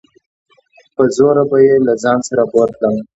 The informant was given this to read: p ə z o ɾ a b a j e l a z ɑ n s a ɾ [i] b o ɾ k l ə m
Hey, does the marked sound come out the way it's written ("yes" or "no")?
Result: no